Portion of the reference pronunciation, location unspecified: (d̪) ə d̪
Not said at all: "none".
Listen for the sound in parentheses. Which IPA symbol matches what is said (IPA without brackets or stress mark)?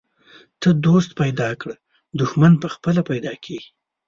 t̪